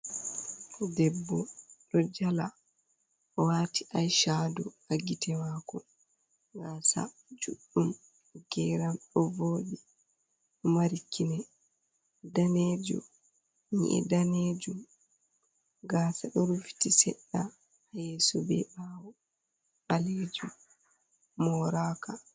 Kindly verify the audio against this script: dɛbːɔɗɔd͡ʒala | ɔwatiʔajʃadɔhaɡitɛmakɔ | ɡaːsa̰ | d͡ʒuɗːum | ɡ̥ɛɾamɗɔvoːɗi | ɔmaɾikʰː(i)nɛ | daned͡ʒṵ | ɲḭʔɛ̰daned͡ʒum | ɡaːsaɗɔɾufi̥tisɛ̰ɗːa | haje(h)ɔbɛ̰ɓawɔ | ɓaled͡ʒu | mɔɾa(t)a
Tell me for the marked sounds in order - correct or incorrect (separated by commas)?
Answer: correct, incorrect, incorrect